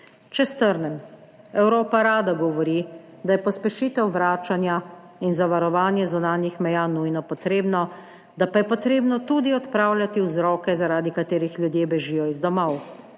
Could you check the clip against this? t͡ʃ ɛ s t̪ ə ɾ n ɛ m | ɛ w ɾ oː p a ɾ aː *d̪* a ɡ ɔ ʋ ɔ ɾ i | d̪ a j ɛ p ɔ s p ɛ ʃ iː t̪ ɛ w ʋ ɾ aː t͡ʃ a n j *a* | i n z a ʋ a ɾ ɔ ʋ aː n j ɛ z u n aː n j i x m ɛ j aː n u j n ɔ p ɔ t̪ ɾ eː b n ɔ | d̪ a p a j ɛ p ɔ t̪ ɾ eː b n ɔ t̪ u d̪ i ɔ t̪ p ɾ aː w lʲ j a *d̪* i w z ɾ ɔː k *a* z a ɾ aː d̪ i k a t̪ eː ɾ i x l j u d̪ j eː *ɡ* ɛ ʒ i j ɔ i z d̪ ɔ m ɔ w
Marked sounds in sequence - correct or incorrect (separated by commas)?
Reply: correct, correct, incorrect, incorrect, incorrect